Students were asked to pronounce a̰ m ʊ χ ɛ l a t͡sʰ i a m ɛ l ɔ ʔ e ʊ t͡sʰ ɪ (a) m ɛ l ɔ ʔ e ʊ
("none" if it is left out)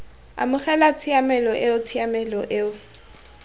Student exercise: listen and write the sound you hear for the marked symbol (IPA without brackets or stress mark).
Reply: a